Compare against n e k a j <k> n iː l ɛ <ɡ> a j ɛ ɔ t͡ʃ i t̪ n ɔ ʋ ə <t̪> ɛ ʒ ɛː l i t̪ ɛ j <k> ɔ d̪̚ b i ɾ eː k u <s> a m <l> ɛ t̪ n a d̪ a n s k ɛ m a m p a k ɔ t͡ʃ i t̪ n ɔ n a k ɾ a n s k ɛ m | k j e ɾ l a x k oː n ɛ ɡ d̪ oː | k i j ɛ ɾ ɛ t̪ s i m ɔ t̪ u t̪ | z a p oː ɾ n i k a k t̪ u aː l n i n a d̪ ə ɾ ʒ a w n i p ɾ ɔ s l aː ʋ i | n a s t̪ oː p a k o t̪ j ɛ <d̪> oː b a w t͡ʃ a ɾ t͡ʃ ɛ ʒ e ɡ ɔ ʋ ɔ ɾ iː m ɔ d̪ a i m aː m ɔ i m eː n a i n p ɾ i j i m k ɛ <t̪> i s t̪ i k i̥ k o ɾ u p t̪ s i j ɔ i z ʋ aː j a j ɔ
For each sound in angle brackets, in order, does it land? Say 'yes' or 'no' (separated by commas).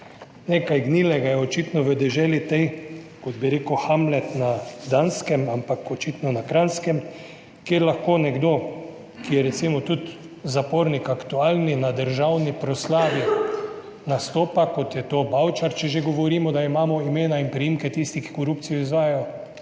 no, yes, no, yes, no, yes, no, yes